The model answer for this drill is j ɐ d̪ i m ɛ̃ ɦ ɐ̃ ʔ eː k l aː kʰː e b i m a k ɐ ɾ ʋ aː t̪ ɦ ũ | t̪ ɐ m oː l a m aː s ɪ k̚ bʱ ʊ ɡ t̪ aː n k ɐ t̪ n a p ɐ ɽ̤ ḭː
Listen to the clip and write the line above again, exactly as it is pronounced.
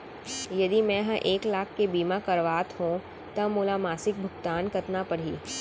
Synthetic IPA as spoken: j ɐ d̪ i m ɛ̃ ɦ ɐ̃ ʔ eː k l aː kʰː e b iː m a k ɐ ɾ ʋ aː t̪ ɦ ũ | t̪ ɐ m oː l a m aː s ɪ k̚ bʱ ʊ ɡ t̪ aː n k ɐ t̪ n a p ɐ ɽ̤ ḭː